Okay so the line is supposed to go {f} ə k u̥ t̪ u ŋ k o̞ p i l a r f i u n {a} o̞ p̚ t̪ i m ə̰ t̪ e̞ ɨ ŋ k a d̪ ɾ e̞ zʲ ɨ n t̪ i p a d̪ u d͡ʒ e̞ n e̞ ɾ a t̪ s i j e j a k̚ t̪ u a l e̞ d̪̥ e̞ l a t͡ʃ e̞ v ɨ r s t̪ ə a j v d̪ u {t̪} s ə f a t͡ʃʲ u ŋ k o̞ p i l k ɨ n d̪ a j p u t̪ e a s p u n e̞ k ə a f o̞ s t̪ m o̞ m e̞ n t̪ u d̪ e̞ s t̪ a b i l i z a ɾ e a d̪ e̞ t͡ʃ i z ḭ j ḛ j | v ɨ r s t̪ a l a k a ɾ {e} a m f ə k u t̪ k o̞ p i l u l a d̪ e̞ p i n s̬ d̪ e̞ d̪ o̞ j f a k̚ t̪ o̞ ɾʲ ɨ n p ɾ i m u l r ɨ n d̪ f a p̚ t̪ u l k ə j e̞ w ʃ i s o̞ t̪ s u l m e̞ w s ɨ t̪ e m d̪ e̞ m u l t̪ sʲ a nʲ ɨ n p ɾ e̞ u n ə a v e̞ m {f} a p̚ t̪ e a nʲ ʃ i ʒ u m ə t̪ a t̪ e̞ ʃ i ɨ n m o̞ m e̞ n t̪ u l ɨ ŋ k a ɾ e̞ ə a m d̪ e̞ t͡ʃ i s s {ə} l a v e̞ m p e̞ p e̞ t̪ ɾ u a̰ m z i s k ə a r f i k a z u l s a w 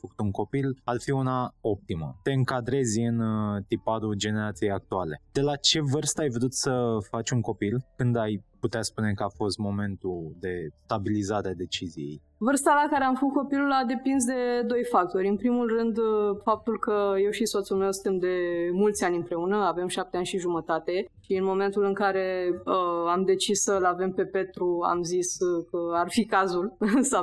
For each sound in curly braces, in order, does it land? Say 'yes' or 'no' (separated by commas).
yes, yes, yes, yes, no, yes